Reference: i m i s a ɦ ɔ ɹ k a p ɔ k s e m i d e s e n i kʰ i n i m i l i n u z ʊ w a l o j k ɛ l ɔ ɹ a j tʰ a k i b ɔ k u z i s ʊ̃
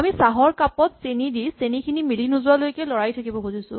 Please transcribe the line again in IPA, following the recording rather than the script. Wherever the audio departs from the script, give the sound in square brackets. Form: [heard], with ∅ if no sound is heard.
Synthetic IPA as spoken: [a] m i s a ɦ ɔ ɹ k a p ɔ [t] s e [n] i d [i] s e n i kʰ i n i m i l i n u z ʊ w a l o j k ɛ l ɔ ɹ a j tʰ a k i b ɔ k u z i s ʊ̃